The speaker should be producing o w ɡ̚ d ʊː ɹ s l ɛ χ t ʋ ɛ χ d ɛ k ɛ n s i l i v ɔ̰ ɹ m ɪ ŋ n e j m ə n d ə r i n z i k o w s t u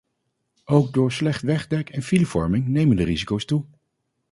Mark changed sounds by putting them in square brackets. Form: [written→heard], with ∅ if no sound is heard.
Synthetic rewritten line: o w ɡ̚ d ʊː ɹ s l ɛ χ t ʋ ɛ χ d ɛ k ɛ n [s→f] i l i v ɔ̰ ɹ m ɪ ŋ n e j m ə n d ə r i [n→∅] z i k o w s t u